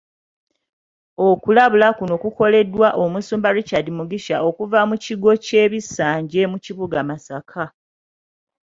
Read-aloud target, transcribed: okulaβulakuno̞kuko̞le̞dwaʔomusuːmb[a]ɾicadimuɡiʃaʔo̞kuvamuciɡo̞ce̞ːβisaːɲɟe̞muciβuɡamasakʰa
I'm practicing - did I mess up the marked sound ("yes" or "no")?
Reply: no